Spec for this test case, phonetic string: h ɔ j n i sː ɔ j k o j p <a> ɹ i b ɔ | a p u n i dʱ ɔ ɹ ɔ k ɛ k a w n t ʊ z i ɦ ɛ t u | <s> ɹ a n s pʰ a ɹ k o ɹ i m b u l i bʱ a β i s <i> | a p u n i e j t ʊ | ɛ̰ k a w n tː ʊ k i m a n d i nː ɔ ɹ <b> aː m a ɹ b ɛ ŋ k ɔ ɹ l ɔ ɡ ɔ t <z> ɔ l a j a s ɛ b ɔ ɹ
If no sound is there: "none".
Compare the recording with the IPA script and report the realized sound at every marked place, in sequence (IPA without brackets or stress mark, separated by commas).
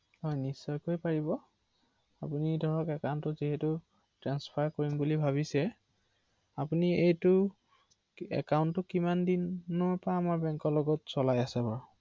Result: a, t, ɛ, p, s